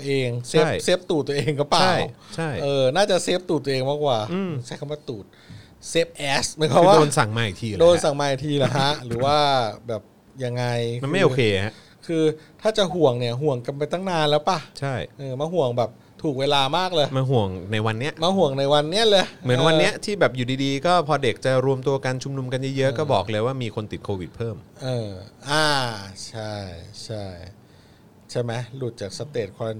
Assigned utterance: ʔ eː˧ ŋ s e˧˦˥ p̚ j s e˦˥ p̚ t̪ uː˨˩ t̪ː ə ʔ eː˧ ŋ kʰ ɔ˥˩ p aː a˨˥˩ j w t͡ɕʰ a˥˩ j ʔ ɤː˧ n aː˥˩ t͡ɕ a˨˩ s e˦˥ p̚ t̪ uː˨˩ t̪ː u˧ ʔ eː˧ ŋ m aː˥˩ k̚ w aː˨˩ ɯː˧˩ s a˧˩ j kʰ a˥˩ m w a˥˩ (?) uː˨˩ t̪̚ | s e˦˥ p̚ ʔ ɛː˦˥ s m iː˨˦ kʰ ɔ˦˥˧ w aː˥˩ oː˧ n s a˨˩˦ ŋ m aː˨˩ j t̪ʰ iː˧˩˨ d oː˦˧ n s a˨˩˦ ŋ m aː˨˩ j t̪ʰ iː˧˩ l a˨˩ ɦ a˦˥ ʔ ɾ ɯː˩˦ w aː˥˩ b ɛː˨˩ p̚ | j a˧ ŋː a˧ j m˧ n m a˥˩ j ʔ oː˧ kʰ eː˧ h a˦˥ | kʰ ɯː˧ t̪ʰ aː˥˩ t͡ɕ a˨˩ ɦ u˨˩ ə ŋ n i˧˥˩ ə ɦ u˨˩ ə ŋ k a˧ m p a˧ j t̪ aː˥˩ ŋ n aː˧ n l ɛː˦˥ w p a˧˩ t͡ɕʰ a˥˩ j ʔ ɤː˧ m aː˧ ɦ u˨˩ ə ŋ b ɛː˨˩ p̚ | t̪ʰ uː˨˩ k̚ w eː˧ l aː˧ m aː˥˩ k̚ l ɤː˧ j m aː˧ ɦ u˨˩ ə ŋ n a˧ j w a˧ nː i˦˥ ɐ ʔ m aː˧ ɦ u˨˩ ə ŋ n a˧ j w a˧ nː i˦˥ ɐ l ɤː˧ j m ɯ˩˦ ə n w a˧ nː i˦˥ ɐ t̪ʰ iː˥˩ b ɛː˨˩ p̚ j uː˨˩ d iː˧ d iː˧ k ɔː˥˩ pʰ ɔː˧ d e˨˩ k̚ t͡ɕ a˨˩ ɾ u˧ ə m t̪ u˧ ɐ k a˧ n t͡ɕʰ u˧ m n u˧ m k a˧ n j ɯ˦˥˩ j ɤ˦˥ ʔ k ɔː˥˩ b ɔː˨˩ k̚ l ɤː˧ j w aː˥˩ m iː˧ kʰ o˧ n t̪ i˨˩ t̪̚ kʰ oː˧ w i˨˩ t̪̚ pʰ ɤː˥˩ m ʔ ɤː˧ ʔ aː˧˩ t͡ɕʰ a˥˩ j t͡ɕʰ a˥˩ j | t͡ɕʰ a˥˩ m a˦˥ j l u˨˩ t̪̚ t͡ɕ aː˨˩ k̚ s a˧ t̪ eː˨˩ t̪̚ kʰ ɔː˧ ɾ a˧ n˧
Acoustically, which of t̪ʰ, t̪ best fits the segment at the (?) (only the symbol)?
t̪